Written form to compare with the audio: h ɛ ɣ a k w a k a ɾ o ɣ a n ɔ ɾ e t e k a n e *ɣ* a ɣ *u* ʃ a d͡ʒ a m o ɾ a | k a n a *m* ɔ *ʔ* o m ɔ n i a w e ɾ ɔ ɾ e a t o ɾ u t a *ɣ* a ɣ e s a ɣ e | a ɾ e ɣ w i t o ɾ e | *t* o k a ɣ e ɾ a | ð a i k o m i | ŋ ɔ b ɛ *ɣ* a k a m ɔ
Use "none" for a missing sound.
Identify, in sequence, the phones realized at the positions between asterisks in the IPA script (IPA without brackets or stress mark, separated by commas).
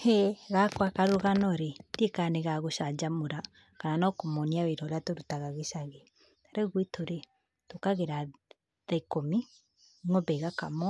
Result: ɣ, o, n, k, ɣ, t, ɣ